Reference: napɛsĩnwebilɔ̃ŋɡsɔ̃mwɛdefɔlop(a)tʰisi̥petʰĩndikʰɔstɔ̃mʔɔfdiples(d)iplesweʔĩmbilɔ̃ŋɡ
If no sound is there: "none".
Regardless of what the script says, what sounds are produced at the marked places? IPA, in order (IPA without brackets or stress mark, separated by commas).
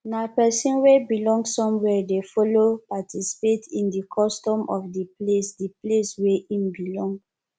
a, d